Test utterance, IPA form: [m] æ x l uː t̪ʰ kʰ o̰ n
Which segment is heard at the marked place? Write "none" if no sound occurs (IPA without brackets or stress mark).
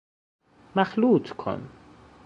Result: m